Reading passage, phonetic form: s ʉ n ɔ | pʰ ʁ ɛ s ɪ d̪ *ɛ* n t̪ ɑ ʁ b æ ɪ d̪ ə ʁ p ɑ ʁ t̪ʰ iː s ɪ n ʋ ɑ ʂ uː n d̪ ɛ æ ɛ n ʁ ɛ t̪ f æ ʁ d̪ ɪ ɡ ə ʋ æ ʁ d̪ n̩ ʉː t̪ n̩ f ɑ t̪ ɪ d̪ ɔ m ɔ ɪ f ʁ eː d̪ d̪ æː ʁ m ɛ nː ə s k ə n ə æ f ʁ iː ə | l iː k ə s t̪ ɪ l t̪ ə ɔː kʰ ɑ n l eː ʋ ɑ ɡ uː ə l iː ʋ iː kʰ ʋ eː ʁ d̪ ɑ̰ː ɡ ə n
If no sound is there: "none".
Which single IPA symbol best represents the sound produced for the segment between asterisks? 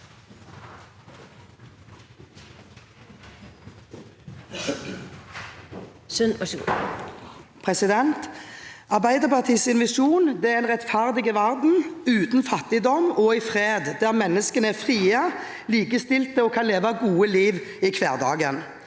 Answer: ɛ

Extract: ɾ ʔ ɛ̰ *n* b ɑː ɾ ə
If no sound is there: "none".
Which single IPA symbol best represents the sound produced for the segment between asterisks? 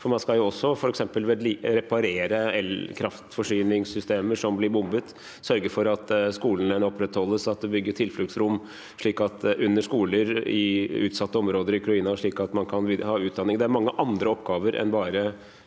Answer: n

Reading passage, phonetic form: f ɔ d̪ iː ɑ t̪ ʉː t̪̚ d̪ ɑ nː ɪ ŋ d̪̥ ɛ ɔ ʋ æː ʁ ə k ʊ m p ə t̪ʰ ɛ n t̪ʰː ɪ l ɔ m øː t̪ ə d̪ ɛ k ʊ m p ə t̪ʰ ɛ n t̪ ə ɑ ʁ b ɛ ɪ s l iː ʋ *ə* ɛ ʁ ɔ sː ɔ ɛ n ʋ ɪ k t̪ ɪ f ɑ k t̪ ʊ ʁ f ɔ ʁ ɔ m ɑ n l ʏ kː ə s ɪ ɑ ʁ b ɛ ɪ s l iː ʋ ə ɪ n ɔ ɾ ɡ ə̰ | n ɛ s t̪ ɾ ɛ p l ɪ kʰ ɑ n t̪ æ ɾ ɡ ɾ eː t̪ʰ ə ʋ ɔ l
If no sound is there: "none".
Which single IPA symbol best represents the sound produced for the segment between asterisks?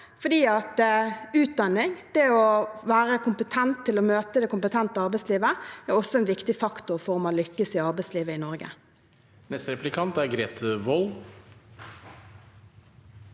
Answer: ə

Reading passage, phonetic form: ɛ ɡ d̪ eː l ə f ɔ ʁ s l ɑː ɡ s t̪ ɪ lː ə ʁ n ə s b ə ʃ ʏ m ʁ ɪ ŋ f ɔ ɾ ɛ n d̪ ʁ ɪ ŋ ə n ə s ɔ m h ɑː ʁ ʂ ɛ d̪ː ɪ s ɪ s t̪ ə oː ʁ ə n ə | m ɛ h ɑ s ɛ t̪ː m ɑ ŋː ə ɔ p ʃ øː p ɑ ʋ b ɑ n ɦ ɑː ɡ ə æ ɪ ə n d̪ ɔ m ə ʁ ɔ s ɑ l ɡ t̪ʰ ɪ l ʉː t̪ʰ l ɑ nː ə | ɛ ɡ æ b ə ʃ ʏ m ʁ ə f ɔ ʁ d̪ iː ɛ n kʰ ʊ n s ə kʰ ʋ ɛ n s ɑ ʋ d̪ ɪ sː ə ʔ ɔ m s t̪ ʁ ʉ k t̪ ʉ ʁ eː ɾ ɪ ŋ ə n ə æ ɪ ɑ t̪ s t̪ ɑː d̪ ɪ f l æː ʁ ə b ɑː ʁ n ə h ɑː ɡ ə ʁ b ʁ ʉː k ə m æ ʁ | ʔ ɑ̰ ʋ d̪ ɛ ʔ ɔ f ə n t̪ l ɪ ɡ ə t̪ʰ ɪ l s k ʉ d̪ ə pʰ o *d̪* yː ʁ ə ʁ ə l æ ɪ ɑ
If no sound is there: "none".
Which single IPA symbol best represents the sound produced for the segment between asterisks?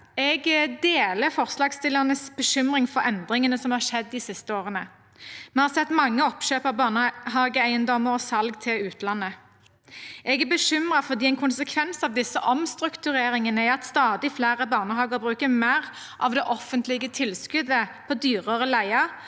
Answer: d̪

